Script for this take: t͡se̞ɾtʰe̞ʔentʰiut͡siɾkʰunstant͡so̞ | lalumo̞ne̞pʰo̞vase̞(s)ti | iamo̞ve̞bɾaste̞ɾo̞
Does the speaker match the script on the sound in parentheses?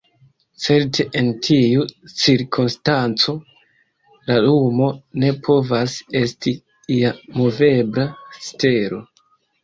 yes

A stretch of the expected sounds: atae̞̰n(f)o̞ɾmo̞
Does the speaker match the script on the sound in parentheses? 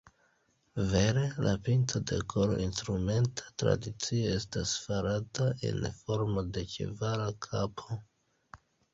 yes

